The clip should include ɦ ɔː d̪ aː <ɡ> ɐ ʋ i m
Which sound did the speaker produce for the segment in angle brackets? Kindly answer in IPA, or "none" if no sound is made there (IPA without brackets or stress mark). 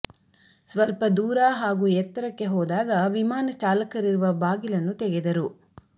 ɡ